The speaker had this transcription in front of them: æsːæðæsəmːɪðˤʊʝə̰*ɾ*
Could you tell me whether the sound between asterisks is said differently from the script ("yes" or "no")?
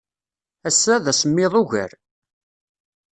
no